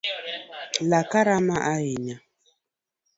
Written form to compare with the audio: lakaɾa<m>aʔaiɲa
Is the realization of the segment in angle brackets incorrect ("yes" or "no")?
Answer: no